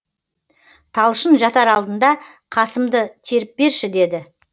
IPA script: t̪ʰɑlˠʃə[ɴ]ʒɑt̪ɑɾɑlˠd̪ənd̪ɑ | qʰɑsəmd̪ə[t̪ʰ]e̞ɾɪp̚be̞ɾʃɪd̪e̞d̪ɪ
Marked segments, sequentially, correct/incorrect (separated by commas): incorrect, correct